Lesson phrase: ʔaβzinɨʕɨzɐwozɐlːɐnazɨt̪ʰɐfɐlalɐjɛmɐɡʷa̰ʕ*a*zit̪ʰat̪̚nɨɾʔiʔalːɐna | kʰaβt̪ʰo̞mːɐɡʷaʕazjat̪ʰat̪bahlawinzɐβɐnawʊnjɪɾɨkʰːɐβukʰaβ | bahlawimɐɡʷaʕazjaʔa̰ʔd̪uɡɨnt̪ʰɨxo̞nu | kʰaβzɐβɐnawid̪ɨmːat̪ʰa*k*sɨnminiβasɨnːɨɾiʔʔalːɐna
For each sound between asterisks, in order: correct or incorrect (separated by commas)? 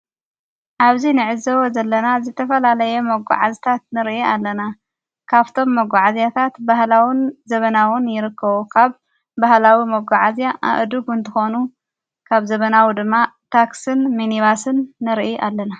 correct, correct